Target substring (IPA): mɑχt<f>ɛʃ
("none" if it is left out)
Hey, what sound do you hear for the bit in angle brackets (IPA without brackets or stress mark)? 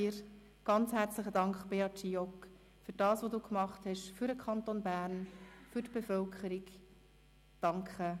h